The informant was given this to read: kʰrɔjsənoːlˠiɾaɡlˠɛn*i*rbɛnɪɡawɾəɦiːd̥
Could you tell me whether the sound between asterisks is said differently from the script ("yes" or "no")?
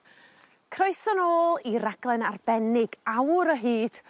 yes